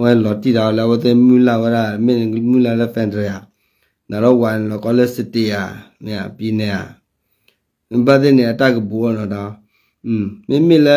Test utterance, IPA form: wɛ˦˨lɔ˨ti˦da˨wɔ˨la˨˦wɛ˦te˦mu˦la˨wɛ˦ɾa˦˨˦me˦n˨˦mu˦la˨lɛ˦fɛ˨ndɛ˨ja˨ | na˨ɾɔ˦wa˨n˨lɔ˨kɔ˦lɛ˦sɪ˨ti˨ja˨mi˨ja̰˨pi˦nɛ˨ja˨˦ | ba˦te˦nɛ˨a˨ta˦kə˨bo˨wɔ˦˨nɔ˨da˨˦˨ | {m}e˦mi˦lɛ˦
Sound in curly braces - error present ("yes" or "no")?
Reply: no